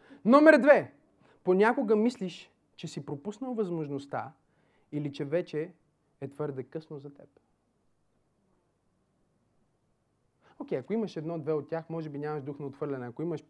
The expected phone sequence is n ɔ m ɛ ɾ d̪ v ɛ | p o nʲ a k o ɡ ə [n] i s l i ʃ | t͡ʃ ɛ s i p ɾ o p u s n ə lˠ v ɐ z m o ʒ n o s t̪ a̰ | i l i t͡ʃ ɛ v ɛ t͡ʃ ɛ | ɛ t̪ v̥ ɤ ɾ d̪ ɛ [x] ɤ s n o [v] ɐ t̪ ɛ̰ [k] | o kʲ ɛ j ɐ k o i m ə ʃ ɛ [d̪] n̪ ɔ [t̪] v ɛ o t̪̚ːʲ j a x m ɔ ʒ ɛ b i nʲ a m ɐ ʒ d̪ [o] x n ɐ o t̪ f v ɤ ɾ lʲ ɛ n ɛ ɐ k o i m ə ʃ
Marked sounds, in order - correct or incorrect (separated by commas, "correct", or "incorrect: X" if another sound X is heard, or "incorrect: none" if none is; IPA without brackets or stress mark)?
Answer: incorrect: m, incorrect: k, incorrect: z, incorrect: p, correct, incorrect: d̪, incorrect: u